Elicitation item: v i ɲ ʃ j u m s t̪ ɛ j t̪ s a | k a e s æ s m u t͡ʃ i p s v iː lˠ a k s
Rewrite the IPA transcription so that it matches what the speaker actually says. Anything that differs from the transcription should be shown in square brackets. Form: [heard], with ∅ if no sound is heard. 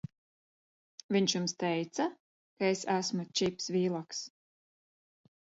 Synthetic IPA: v i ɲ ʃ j u m s t̪ ɛ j t̪ s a | k a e s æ s m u t͡ʃ i p s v iː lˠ a k s